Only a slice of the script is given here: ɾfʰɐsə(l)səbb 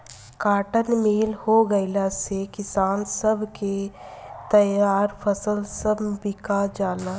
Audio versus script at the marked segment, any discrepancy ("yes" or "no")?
no